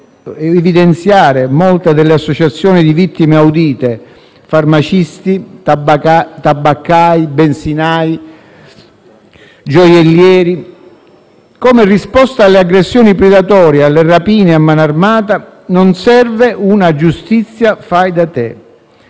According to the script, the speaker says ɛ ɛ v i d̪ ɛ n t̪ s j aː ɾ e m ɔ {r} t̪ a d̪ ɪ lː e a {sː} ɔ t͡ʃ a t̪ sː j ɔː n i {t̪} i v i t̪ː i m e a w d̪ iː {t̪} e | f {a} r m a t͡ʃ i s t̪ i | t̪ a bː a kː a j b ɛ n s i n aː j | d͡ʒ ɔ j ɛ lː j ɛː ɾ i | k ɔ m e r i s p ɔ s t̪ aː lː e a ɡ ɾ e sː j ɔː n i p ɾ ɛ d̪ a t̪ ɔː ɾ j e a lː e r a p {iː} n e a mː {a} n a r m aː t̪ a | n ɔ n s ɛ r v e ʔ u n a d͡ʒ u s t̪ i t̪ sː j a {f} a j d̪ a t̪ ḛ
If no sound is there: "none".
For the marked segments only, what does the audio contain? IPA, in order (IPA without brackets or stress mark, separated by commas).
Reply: l, sː, d̪, t̪, a, iː, a, f